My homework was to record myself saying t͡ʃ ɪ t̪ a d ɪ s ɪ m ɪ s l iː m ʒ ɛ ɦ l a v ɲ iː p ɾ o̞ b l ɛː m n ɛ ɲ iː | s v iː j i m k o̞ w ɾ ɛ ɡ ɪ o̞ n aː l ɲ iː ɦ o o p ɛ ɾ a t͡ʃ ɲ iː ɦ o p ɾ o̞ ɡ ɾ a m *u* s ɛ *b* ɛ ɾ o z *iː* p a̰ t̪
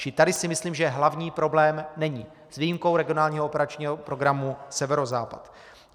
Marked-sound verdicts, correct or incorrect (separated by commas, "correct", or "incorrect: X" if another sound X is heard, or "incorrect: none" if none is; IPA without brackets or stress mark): correct, incorrect: v, incorrect: aː